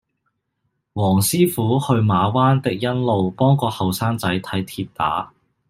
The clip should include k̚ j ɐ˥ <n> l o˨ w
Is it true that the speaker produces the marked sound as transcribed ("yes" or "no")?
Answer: yes